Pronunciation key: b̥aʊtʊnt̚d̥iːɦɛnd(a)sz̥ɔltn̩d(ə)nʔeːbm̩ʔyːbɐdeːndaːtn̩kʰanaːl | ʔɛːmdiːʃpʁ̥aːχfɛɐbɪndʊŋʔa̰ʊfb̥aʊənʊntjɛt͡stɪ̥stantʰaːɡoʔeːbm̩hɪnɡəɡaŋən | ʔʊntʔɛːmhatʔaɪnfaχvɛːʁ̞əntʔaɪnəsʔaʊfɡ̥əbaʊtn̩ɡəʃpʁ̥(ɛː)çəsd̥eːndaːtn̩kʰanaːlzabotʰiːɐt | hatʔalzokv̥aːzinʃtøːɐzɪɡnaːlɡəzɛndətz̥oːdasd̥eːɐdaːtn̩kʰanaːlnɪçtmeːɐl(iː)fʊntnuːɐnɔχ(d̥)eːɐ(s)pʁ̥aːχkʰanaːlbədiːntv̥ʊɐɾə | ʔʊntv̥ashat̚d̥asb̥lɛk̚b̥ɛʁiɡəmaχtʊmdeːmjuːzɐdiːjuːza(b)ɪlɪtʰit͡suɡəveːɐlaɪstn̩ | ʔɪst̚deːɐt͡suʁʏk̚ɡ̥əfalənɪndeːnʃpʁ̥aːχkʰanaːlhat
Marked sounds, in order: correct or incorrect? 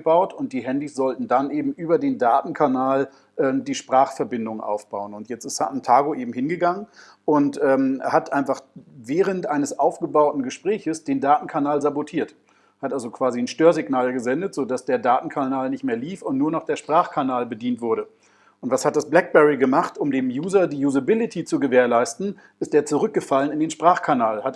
incorrect: i, incorrect: a, correct, correct, correct, incorrect: ʃ, correct

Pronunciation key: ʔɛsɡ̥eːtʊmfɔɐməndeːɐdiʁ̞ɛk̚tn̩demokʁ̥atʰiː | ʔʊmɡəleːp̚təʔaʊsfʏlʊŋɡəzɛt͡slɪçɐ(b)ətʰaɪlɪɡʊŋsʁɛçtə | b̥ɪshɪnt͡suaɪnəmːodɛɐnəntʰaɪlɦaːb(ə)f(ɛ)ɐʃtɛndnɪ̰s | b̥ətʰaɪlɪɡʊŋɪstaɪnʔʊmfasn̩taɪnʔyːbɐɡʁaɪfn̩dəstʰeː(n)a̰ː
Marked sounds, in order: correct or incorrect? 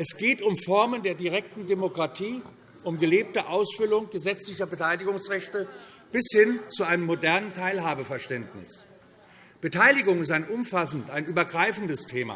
correct, correct, correct, incorrect: m

